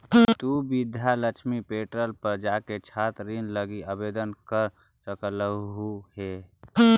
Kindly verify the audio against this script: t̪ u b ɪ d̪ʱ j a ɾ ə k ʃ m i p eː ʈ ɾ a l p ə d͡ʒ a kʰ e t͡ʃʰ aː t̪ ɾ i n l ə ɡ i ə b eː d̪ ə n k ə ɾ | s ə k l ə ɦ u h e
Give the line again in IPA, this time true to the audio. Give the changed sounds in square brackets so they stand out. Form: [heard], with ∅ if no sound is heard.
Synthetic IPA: t̪ u b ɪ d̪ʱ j a [l] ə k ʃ m i p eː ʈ ɾ [ə] l p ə d͡ʒ a [k] e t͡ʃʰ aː t̪ ɾ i n l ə ɡ i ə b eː d̪ ə n k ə ɾ | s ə k l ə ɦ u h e